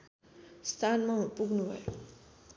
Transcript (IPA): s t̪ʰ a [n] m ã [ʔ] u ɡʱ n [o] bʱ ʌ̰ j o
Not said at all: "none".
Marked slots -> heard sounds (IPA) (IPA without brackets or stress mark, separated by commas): n, p, u